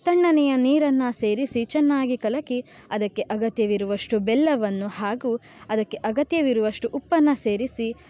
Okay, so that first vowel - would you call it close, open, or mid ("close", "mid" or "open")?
open